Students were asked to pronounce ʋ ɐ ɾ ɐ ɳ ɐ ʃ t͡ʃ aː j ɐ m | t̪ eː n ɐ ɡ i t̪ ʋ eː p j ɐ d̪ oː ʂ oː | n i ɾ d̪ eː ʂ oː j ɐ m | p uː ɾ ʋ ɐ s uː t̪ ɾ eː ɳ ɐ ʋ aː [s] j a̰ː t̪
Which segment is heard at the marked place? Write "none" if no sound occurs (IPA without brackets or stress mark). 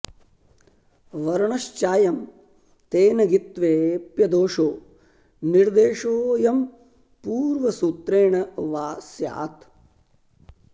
s